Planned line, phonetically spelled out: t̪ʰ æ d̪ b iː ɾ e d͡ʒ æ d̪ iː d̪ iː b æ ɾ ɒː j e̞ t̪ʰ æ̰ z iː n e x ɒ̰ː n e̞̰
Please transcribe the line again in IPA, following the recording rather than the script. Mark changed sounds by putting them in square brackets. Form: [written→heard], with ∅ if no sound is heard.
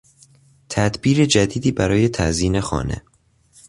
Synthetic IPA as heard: t̪ʰ æ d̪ b iː ɾ e d͡ʒ æ d̪ iː d̪ iː b æ ɾ ɒː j e̞ t̪ʰ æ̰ z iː n e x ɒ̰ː n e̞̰